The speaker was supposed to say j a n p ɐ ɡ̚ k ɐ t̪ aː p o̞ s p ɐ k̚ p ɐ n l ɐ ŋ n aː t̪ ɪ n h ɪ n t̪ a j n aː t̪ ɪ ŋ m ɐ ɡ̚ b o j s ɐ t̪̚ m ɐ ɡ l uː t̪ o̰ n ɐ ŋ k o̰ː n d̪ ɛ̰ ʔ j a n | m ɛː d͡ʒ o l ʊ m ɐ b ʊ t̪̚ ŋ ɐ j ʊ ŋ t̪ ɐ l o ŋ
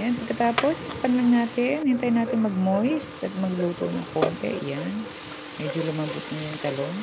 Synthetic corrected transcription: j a n p ɐ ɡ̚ k ɐ t̪ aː p o̞ s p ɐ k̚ p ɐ n l ɐ ŋ n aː t̪ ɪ n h ɪ n t̪ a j n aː t̪ ɪ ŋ m ɐ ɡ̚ m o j s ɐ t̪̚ m ɐ ɡ l uː t̪ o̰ n ɐ ŋ k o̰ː n t̪ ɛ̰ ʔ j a n | m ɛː d͡ʒ o l ʊ m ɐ b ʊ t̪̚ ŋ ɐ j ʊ ŋ t̪ ɐ l o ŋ